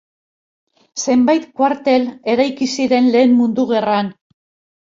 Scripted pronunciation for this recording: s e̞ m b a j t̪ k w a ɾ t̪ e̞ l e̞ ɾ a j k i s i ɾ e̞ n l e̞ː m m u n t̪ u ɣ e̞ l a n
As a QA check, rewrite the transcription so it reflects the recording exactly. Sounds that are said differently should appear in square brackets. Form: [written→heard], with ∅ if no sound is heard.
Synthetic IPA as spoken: s e̞ m b a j t̪ k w a ɾ t̪ e̞ l e̞ ɾ a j k i s i ɾ e̞ n l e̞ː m m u n [t̪→d̪] u ɣ e̞ [l→r] a n